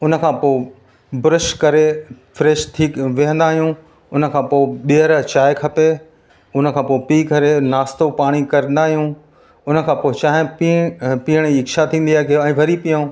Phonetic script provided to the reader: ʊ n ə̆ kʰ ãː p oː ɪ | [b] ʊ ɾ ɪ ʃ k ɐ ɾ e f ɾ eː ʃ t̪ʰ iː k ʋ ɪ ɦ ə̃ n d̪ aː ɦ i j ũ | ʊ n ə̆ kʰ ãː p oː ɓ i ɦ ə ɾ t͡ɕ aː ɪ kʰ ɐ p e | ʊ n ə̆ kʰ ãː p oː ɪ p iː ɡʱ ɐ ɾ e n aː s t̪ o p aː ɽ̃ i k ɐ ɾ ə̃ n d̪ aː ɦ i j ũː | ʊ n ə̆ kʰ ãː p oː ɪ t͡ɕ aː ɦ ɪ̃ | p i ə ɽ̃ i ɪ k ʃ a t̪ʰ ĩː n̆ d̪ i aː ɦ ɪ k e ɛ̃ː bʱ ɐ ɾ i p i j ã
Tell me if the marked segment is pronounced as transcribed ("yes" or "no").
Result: yes